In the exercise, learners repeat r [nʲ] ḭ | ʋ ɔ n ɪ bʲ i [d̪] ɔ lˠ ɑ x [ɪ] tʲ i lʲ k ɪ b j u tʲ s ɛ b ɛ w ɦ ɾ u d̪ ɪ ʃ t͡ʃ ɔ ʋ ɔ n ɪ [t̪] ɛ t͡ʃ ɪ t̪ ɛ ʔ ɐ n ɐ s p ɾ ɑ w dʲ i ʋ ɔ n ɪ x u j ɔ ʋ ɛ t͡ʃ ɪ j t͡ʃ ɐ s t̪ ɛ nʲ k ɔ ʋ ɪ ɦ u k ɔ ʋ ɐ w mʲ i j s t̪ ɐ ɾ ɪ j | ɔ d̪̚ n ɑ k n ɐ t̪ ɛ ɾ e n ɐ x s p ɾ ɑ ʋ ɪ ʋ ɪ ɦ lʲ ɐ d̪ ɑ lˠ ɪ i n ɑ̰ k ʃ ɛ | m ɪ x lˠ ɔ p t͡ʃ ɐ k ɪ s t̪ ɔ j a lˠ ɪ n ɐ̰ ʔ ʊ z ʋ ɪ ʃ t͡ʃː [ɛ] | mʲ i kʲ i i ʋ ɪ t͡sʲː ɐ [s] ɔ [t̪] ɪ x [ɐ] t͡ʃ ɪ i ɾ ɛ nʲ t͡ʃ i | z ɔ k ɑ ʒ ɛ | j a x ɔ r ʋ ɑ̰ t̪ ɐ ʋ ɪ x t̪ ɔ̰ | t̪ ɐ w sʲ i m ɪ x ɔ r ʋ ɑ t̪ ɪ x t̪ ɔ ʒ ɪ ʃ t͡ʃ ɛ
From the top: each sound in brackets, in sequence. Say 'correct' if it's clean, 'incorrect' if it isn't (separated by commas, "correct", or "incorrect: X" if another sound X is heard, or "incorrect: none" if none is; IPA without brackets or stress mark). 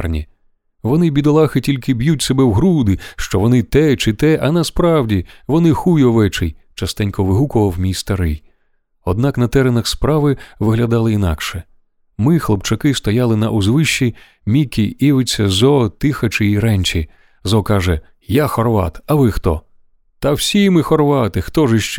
correct, correct, correct, correct, incorrect: i, incorrect: z, correct, correct